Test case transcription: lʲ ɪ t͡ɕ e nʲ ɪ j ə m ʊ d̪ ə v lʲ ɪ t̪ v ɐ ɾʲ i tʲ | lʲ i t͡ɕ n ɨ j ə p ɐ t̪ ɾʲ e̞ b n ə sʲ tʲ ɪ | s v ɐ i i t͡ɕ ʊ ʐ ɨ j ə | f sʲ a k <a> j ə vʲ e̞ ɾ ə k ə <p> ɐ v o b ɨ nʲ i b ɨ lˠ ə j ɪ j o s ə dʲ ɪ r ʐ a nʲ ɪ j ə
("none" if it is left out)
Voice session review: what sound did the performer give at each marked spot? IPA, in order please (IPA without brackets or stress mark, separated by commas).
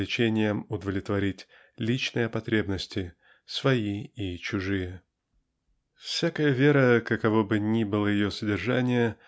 ə, k